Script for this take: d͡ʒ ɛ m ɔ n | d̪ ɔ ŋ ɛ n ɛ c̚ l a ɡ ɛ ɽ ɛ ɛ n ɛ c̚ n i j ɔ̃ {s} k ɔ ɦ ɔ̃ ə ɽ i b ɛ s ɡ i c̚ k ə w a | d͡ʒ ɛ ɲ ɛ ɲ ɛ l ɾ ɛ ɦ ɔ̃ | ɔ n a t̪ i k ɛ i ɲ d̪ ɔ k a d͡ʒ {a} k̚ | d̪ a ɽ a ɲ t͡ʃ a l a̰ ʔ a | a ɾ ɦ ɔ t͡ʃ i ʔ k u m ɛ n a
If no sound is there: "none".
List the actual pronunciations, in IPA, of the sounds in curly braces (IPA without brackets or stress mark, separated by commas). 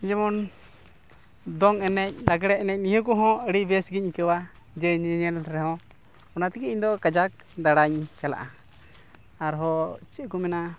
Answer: none, a